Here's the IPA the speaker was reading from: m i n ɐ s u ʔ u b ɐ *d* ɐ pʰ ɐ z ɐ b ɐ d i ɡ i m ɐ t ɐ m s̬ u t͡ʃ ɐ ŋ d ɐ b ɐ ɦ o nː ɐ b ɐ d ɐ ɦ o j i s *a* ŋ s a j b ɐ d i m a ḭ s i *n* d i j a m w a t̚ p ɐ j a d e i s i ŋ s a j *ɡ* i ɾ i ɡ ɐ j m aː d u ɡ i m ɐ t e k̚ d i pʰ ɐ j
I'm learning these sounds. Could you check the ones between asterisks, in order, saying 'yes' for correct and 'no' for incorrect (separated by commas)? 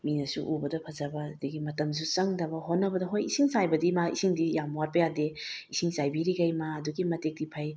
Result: yes, no, no, no